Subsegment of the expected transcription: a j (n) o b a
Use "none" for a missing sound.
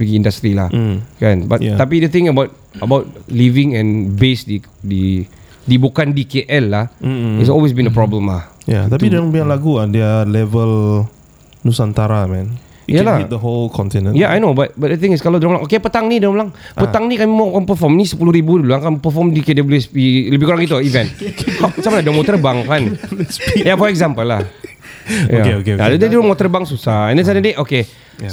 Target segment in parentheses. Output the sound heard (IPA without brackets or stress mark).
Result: n